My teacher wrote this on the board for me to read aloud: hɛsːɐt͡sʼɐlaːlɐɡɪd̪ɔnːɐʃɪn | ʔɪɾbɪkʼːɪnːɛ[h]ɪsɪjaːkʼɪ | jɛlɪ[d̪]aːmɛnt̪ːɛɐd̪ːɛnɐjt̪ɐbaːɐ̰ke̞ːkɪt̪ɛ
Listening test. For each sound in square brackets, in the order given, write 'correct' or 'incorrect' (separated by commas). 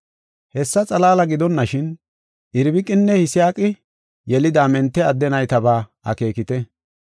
correct, correct